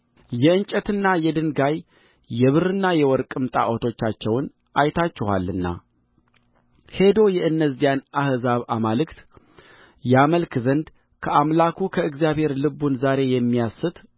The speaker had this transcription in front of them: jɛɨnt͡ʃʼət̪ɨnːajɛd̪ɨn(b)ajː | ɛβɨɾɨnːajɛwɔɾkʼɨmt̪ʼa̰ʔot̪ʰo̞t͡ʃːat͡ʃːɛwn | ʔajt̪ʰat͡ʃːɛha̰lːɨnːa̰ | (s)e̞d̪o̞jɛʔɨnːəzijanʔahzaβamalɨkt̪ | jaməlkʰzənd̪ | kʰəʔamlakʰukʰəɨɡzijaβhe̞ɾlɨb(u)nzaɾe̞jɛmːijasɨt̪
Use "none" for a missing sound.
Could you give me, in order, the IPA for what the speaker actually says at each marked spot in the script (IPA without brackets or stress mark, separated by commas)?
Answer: ɡ, h, u